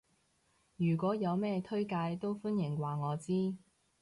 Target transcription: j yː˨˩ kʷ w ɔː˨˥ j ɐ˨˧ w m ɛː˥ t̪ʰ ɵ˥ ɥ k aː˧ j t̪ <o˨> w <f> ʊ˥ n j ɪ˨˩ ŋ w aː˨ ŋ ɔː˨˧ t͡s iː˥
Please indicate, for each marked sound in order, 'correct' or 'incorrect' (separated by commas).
incorrect, correct